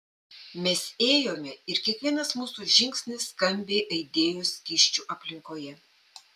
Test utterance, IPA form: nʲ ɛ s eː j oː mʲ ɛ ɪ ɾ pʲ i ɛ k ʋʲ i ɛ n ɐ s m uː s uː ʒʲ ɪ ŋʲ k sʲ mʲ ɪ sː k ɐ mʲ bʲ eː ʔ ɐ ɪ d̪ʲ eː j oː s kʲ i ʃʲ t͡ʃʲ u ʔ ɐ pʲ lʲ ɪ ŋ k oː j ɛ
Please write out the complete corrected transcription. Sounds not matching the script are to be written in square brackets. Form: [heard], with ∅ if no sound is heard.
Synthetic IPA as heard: [mʲ] ɛ s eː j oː mʲ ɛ ɪ ɾ [kʲ] i ɛ k ʋʲ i ɛ n ɐ s m uː s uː ʒʲ ɪ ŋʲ k sʲ [nʲ] ɪ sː k ɐ mʲ bʲ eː ʔ ɐ ɪ d̪ʲ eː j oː s kʲ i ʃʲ t͡ʃʲ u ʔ ɐ pʲ lʲ ɪ ŋ k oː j ɛ